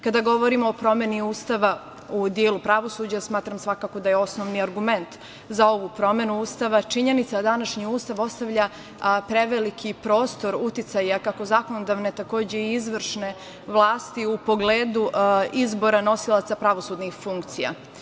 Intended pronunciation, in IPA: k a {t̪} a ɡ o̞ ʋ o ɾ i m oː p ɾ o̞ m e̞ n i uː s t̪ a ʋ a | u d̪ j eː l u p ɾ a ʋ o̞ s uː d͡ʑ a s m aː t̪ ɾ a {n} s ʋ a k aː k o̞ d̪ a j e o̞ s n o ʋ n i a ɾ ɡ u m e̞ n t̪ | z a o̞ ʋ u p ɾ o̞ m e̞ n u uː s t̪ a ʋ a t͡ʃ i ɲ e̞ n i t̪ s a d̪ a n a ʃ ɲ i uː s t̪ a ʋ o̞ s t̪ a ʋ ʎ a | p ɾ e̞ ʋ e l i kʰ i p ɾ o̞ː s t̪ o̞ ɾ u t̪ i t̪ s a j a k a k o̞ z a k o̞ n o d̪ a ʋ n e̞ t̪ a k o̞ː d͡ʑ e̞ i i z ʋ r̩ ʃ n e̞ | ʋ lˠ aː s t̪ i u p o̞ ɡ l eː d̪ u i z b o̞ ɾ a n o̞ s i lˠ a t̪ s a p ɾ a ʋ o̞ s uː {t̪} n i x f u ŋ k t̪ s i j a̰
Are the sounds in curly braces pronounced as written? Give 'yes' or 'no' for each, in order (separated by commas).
no, no, no